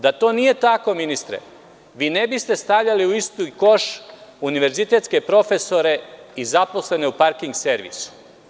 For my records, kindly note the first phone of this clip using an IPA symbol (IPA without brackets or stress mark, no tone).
d̪